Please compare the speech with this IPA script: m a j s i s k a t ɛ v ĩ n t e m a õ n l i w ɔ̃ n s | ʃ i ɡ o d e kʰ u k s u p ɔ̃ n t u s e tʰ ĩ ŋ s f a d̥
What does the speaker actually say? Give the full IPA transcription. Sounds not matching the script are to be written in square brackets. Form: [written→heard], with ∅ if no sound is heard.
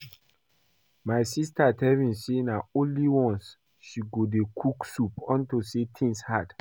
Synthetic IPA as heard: m a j s i s [k→t] a t ɛ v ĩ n [t→s] e [m→n] a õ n l i w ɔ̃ n s | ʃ i ɡ o d e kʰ u k s u p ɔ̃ n t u s e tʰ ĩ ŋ s [f→h] a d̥